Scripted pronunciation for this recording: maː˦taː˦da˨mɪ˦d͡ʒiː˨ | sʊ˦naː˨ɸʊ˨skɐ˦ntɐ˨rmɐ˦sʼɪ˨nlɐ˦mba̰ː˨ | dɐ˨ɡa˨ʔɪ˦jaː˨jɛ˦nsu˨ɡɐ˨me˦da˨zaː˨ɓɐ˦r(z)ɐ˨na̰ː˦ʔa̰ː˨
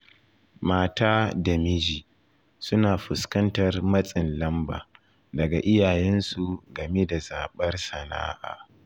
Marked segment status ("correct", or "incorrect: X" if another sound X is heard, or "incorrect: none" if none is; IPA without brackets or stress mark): incorrect: s